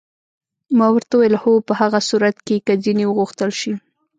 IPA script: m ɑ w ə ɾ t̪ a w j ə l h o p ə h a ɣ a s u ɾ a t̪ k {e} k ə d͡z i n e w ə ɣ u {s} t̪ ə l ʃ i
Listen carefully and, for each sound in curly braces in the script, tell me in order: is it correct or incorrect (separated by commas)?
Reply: correct, incorrect